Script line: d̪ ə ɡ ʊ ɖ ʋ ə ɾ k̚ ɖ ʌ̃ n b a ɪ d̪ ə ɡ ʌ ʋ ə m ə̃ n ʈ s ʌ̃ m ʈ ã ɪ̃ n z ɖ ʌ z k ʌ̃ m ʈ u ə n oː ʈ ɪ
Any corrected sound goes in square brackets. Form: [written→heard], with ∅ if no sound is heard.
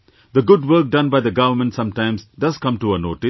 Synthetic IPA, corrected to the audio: d̪ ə ɡ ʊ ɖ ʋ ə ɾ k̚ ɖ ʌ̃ n b a ɪ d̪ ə ɡ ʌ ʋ ə m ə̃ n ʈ s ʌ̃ m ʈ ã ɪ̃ [n→m] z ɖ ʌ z k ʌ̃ m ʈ u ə n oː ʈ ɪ